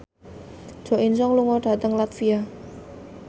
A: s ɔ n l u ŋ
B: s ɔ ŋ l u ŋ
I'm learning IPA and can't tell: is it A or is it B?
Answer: B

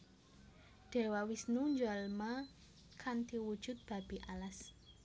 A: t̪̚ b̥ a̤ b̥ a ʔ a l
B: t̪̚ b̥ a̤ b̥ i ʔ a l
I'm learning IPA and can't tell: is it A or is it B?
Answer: B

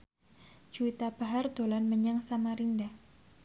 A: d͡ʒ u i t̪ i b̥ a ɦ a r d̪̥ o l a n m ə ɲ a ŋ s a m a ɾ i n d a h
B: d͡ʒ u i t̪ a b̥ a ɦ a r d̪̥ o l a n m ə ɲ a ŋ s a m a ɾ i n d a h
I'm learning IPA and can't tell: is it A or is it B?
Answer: B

